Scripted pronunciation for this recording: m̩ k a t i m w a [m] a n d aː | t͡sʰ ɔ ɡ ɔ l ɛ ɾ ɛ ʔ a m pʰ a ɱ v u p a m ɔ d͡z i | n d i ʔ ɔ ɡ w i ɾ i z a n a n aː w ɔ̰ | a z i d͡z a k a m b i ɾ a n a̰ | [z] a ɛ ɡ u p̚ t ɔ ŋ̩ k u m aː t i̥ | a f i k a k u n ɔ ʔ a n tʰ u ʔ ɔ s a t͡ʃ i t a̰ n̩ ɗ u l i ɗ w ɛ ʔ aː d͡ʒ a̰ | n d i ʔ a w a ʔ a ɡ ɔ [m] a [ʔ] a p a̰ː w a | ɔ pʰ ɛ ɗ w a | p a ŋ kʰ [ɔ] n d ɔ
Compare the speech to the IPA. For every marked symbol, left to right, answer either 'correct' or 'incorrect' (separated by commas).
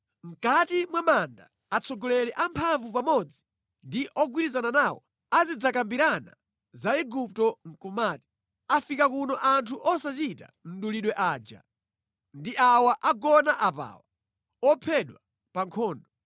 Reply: correct, correct, incorrect, correct, incorrect